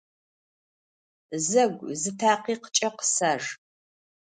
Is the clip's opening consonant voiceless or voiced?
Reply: voiced